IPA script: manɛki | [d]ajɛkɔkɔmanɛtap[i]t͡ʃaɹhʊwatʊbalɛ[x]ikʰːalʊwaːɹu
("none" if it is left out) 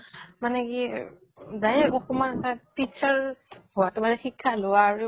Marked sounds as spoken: d, i, x

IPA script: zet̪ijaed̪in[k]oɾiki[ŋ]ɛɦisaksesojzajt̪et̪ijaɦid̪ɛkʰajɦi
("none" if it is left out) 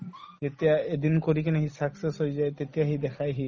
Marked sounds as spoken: k, n

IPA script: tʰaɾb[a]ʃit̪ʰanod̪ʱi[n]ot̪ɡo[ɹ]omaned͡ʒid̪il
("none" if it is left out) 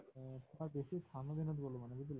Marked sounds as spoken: e, n, l

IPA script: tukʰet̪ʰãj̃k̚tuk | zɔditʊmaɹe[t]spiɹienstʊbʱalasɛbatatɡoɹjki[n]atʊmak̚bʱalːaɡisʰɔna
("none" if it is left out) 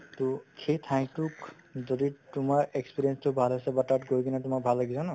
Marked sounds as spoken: k, n

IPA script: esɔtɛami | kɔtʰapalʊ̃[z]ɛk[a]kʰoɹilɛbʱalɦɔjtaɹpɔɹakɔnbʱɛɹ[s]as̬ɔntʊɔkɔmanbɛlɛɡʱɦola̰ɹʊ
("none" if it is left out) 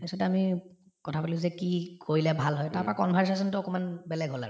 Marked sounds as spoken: z, i, s

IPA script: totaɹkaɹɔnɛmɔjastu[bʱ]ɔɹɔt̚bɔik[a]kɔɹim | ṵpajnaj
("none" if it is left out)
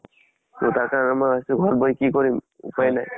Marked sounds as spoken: ɡʱ, i

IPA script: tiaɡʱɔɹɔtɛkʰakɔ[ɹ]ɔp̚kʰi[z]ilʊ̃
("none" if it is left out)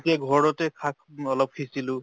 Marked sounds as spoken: l, s

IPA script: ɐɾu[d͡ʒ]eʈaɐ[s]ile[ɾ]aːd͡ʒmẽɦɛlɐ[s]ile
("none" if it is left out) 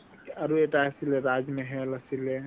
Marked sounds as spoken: none, s, ɾ, s

